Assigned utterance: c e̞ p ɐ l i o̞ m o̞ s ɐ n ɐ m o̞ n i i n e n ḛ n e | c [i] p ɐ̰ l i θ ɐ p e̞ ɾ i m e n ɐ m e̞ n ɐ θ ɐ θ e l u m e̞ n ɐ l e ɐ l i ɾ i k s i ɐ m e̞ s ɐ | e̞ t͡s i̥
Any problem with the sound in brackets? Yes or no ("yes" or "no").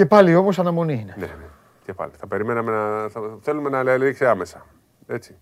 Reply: yes